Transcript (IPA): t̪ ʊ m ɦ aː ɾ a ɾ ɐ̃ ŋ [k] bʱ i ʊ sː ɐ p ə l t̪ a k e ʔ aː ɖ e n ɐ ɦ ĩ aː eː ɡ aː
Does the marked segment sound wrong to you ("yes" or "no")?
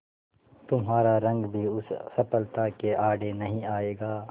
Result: yes